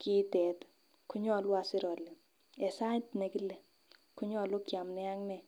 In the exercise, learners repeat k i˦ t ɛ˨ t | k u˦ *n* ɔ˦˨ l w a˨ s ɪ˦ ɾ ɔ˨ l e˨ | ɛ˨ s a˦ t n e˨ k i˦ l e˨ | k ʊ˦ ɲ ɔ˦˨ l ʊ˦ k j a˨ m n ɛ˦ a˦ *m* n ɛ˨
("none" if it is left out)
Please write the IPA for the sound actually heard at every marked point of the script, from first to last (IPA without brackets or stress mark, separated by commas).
ɲ, ŋ